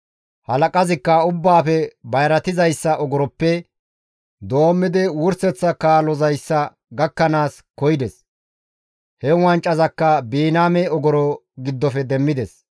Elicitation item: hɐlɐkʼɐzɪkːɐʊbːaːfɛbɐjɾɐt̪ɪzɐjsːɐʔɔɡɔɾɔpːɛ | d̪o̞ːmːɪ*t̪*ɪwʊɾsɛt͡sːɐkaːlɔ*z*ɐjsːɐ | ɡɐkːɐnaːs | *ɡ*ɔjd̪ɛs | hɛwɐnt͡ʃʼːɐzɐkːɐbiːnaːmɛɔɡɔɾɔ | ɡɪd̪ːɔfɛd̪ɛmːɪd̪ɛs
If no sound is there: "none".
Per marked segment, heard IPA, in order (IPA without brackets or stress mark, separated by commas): d̪, z, k